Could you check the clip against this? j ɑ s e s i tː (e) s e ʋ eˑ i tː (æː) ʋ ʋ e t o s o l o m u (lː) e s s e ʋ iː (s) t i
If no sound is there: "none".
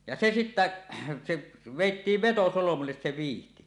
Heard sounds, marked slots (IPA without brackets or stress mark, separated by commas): æ, iː, lː, h